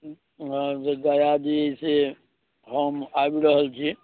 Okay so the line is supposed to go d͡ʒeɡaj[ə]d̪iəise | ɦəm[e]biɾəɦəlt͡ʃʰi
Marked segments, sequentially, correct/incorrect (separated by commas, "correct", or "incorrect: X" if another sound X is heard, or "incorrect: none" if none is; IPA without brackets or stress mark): incorrect: a, incorrect: a